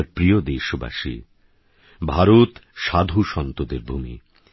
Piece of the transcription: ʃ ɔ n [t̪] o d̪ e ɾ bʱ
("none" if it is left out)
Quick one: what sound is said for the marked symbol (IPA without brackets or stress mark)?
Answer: t̪